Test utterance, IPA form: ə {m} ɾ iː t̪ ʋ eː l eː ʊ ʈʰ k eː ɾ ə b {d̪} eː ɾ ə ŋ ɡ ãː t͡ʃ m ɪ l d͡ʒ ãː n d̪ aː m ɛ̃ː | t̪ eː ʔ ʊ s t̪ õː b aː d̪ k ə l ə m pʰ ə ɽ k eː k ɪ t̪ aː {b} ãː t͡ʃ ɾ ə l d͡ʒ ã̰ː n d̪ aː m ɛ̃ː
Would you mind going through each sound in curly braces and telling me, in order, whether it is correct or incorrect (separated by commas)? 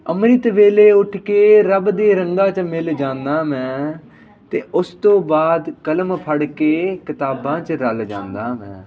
correct, correct, correct